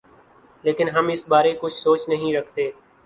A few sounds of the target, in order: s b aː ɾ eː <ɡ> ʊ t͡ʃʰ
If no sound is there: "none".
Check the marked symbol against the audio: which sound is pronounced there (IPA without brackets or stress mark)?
k